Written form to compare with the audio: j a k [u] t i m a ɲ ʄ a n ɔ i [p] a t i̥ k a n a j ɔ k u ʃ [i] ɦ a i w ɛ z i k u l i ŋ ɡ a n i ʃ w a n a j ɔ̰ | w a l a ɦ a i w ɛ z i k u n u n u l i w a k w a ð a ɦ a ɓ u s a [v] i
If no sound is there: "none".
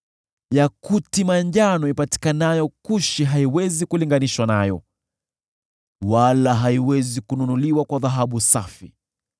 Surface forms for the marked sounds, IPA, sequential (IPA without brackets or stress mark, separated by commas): u, p, i, f